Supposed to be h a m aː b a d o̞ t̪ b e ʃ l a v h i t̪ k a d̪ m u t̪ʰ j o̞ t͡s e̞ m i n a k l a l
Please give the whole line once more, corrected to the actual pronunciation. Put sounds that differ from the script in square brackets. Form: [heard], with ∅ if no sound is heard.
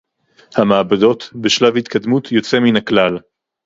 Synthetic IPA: h a m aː b a d o̞ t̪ b e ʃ l a v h i t̪ k a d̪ m u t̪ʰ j o̞ t͡s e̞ m i n a k l a l